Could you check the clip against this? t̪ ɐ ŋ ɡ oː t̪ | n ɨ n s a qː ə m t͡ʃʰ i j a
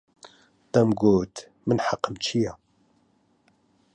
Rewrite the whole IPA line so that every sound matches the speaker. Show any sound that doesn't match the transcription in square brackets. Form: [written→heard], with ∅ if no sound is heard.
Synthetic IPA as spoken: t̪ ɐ [ŋ→m] ɡ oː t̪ | [n→m] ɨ n [s→ħ] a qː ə m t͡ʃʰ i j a